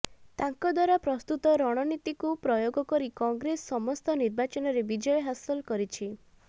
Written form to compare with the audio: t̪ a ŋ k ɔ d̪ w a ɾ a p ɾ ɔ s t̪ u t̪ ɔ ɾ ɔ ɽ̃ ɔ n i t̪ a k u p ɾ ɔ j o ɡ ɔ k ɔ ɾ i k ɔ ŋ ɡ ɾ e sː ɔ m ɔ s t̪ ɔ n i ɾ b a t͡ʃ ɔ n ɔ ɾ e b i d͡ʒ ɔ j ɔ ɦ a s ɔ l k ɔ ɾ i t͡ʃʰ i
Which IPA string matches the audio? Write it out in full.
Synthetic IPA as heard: t̪ a ŋ k ɔ d̪ w a ɾ a p ɾ ɔ s t̪ u t̪ ɔ ɾ ɔ ɽ̃ ɔ n i t̪ i k u p ɾ ɔ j o ɡ ɔ k ɔ ɾ i k ɔ ŋ ɡ ɾ e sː ɔ m ɔ s t̪ ɔ n i ɾ b a t͡ʃ ɔ n ɔ ɾ e b i d͡ʒ ɔ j ɔ ɦ a s ɔ l k ɔ ɾ i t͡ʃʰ i